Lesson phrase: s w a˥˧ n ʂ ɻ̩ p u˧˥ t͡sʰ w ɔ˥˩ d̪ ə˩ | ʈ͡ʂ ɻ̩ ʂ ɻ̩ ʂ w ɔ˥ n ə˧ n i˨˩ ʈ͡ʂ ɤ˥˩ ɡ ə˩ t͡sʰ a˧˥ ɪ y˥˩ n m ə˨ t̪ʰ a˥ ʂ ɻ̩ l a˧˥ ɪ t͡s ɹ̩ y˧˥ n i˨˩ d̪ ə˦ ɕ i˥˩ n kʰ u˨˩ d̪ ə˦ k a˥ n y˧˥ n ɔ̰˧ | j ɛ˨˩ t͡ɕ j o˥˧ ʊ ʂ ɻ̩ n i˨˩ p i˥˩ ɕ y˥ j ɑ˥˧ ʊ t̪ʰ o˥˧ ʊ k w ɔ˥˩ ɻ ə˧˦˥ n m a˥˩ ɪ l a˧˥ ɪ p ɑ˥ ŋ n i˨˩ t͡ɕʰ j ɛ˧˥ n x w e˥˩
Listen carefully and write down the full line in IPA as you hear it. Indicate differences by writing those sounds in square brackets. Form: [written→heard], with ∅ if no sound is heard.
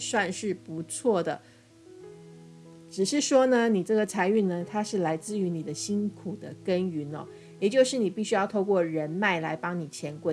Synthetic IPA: s w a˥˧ n ʂ ɻ̩ p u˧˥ t͡sʰ w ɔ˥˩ d̪ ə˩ | ʈ͡ʂ ɻ̩ ʂ ɻ̩ ʂ w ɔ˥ n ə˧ n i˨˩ ʈ͡ʂ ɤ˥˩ ɡ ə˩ t͡sʰ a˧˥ ɪ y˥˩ n [m→n] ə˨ t̪ʰ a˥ ʂ ɻ̩ l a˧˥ ɪ t͡s ɹ̩ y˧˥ n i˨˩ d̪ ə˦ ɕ [i˥˩→i˥] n kʰ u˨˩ d̪ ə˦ k [a˥→ə˥] n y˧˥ n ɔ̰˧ | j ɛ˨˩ t͡ɕ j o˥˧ ʊ ʂ ɻ̩ n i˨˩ p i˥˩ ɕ y˥ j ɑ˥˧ ʊ t̪ʰ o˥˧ ʊ k w ɔ˥˩ ɻ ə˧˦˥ n m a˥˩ ɪ l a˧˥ ɪ p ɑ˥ ŋ n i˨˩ t͡ɕʰ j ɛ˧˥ n [x→k] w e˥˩